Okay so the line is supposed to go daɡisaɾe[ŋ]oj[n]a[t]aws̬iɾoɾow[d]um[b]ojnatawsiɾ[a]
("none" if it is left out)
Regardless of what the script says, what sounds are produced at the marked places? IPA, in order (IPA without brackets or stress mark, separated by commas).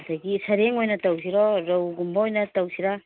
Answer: ŋ, n, t, ɡ, b, a